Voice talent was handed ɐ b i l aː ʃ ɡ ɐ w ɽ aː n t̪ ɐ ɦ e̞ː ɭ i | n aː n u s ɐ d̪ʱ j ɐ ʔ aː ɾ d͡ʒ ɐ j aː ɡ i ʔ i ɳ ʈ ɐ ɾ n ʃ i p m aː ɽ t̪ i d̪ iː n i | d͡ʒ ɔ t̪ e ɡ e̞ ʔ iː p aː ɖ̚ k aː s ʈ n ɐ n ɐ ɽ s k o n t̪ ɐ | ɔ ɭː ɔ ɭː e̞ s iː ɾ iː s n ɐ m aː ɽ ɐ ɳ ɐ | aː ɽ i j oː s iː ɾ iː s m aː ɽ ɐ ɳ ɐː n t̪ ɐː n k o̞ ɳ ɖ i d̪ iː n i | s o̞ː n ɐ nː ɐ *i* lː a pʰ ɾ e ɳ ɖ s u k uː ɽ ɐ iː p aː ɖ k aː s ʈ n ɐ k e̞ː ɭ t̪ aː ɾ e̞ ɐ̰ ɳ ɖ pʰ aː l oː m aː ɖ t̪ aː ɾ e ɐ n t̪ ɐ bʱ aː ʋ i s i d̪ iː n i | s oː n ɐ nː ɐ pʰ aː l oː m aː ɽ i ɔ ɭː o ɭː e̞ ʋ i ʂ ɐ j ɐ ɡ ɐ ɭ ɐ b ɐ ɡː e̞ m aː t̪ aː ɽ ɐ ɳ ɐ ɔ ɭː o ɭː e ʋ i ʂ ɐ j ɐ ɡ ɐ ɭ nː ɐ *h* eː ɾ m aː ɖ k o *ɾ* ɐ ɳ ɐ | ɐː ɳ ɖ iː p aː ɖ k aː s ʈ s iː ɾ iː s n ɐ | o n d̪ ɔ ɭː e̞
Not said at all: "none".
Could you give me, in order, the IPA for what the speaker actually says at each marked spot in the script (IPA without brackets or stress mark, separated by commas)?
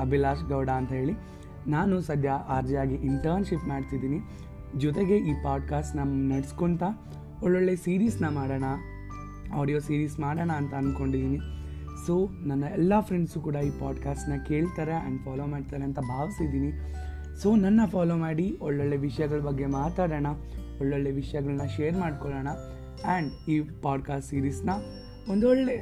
ɛ, ʃ, ɭ